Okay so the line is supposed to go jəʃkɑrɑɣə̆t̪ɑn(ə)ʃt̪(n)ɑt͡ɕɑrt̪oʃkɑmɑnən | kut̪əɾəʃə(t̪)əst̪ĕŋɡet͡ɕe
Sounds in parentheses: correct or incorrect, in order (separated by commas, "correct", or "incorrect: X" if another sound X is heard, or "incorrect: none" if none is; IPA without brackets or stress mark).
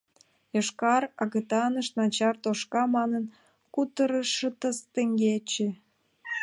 correct, correct, correct